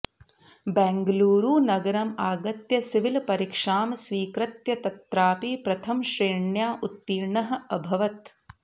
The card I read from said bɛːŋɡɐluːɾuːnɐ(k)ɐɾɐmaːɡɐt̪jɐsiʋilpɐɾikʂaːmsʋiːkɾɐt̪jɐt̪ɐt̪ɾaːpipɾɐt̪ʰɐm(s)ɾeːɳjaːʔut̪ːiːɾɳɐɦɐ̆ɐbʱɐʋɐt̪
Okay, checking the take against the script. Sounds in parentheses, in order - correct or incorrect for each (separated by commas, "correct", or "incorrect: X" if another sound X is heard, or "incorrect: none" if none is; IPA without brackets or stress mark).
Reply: incorrect: ɡ, incorrect: ʃ